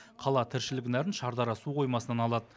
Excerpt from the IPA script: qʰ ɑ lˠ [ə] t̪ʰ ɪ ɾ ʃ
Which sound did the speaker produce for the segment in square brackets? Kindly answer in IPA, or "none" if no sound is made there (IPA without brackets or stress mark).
ɑ